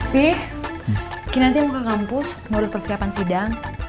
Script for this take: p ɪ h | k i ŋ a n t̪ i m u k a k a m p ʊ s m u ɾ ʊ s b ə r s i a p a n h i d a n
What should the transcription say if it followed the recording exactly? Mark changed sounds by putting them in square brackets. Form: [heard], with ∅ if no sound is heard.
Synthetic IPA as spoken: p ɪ h | k i [n] a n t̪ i m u k a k a m p ʊ s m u ɾ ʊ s [p] ə r s i a p a n [s] i d a [ŋ]